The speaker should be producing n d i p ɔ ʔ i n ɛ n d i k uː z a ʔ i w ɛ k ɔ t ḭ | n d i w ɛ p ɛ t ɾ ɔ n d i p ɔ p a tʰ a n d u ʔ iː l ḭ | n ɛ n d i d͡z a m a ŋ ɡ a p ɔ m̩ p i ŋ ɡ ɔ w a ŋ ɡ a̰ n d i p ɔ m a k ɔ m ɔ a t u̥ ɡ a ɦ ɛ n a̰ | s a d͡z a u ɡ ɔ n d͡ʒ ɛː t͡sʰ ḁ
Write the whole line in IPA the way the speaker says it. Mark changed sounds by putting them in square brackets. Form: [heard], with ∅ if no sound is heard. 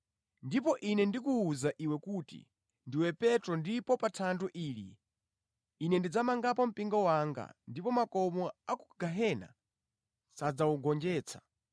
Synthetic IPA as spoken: n d i p ɔ ʔ i n ɛ n d i k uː z a ʔ i w ɛ k [u] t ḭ | n d i w ɛ p ɛ t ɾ ɔ n d i p ɔ p a tʰ a n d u ʔ iː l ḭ | n ɛ n d i d͡z a m a ŋ ɡ a p ɔ m̩ p i ŋ ɡ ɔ w a ŋ ɡ a̰ n d i p ɔ m a k ɔ m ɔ a [k] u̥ ɡ a ɦ ɛ n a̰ | s a d͡z a u ɡ ɔ n d͡ʒ ɛː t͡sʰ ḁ